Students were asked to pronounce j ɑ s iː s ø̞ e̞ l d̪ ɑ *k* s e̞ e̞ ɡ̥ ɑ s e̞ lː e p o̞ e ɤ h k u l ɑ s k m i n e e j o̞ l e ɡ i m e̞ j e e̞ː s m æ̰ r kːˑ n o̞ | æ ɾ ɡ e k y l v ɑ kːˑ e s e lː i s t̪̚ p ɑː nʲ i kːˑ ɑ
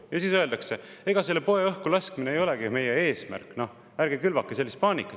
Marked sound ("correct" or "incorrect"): correct